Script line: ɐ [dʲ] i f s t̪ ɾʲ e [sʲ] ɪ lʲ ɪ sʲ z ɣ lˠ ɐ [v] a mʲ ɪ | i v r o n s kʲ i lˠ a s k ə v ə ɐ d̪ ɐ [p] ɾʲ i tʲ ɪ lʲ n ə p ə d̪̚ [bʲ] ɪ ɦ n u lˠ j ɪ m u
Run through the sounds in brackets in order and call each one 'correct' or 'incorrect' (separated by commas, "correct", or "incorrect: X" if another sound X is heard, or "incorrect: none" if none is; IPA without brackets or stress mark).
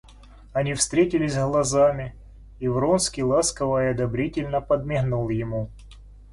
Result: incorrect: nʲ, incorrect: tʲ, incorrect: z, incorrect: b, incorrect: mʲ